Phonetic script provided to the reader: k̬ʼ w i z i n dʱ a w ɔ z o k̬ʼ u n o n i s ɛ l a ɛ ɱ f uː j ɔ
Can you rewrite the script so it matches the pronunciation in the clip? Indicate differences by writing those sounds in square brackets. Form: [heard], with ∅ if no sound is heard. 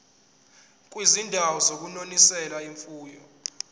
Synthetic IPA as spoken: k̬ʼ w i z i n dʱ a w ɔ z o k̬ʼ u n o n i s ɛ l a [i] ɱ f uː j ɔ